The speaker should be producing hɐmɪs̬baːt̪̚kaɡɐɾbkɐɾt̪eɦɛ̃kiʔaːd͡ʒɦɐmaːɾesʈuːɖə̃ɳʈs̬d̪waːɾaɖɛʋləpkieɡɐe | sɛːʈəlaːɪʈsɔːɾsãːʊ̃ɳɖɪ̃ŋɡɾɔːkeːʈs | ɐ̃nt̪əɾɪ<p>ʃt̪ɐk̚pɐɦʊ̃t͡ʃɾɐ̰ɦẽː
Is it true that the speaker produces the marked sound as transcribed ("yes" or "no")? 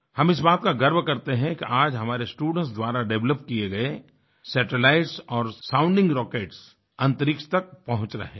no